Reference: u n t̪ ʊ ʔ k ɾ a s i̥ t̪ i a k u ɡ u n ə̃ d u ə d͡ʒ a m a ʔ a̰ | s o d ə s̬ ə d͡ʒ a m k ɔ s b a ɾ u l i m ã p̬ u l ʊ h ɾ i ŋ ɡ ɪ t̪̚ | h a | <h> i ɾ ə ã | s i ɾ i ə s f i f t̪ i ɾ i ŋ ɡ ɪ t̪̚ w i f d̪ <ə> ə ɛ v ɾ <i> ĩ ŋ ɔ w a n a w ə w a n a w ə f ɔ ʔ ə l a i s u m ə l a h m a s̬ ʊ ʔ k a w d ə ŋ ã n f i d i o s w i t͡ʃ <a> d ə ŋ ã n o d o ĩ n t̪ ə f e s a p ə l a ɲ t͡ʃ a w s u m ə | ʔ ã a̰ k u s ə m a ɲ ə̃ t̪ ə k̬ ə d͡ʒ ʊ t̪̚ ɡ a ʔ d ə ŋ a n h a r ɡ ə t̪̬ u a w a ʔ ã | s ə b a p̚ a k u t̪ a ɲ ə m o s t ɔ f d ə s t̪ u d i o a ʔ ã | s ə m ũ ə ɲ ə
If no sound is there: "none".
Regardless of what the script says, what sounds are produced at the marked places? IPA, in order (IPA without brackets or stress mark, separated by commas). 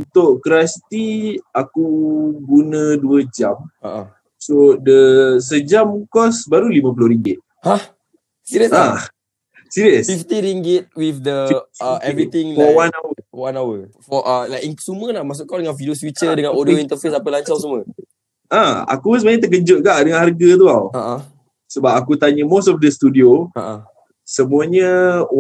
s, ə, i, ə